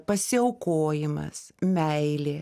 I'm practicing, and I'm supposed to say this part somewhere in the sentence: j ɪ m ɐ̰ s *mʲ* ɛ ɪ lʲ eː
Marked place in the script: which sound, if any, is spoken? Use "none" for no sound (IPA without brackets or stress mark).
mʲ